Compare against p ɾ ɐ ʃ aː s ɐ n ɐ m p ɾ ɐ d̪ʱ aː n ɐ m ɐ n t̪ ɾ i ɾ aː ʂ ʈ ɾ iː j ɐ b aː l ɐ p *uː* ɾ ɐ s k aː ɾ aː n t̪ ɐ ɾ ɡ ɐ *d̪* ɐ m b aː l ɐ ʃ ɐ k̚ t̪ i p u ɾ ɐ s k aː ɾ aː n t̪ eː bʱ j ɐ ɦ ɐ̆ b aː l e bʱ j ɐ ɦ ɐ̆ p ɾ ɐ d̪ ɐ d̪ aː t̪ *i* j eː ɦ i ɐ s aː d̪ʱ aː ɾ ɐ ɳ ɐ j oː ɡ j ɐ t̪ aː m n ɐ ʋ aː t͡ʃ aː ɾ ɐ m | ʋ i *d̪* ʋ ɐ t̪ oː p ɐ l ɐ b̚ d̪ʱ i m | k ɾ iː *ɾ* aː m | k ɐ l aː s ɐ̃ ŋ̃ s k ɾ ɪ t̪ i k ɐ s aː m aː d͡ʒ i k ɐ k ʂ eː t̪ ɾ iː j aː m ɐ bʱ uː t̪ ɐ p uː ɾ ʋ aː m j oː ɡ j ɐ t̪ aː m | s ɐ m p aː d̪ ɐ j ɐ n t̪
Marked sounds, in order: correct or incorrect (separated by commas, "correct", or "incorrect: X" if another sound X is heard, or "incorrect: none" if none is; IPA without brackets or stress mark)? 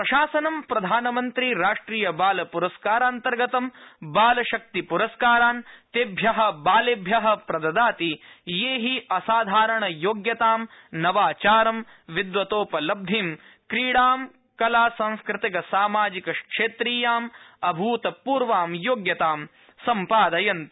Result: incorrect: u, incorrect: t̪, correct, correct, incorrect: ɽ